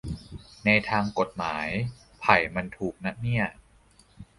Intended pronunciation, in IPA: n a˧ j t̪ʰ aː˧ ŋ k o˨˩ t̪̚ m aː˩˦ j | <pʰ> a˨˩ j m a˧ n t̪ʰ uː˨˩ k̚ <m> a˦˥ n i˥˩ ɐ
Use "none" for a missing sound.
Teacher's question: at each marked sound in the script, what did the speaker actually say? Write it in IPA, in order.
pʰ, n

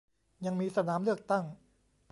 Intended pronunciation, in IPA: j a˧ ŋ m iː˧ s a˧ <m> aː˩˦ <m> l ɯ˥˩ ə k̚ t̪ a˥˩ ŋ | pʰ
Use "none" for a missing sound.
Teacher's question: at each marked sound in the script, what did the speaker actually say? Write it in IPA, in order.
n, m

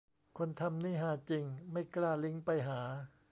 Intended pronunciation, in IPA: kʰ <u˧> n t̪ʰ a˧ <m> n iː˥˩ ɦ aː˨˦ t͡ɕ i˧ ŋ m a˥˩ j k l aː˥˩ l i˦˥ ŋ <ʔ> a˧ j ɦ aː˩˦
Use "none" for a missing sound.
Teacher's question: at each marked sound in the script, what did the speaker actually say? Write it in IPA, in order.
o˧, m, p

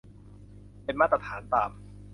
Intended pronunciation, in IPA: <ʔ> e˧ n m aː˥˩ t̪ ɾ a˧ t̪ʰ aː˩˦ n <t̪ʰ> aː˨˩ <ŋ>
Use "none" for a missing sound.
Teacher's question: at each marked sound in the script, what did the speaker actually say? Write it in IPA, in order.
p, t̪, m

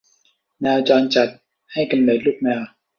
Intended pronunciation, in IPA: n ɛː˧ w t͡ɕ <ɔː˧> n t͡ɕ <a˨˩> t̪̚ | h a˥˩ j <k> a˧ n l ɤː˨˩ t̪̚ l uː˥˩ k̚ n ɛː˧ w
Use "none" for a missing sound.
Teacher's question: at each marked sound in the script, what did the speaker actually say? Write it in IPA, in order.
ɔː˧, a˨˩, k

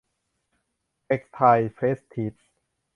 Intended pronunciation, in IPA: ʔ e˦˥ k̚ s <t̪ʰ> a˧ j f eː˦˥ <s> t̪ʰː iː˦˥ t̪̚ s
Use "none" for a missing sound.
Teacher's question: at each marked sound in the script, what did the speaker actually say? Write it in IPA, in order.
t̪ʰ, s

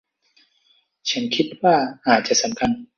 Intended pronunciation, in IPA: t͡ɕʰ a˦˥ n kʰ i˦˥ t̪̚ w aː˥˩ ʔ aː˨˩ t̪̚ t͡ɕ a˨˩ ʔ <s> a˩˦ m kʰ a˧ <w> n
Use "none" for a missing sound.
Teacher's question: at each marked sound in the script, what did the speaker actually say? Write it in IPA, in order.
s, none

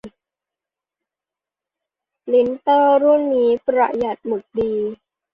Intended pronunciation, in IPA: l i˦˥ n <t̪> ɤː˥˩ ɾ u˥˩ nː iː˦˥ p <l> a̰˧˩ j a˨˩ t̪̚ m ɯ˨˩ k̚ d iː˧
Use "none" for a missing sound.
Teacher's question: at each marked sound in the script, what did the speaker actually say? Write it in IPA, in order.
t̪, ɾ

